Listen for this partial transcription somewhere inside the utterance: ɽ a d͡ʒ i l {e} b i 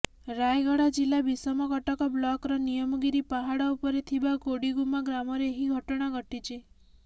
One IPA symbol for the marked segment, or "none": a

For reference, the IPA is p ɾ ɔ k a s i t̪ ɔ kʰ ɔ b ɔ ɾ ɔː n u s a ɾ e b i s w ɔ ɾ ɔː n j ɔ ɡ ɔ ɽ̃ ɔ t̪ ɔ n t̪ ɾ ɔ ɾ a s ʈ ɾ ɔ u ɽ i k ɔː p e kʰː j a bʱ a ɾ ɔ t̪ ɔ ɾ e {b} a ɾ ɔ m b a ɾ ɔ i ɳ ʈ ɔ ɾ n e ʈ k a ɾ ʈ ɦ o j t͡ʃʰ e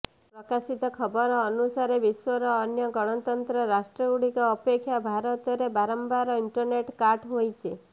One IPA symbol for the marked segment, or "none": b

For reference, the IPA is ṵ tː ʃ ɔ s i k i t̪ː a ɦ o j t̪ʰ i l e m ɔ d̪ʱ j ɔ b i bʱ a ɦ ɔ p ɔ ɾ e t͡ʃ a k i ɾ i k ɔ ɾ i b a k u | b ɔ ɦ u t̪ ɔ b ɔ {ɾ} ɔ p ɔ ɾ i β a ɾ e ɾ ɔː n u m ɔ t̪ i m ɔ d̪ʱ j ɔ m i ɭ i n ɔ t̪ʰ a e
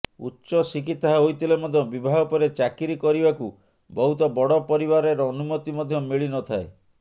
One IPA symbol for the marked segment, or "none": ɽ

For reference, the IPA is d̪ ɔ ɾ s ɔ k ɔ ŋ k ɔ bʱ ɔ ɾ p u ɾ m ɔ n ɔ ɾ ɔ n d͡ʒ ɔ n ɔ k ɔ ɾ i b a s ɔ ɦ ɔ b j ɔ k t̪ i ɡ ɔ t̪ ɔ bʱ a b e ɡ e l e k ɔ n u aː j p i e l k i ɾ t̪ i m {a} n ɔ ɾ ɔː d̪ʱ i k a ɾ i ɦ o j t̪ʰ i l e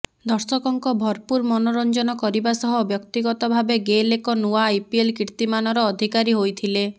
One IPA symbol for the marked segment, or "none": a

